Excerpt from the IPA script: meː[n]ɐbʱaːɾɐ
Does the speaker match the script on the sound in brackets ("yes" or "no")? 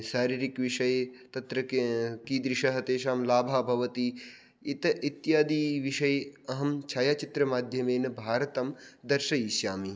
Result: yes